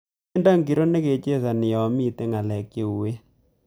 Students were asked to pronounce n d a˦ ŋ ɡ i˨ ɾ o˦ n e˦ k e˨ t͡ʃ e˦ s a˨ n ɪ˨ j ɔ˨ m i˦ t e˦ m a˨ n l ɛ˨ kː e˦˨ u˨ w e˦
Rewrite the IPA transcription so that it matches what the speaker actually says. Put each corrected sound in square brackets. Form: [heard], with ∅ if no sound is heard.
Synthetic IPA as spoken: n d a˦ ŋ ɡ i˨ ɾ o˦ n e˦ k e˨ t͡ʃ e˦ s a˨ n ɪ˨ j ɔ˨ m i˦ t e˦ [ŋ] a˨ [∅] l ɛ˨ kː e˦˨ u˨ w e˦